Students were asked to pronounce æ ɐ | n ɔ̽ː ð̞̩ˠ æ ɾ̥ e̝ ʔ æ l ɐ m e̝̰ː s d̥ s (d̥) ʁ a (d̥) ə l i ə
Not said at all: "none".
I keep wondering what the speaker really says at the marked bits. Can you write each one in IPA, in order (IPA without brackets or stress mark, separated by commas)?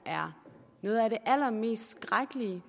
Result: ɡ̥, ɡ̥